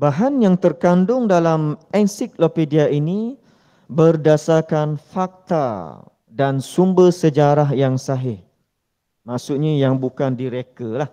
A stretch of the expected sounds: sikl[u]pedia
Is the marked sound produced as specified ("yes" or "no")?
no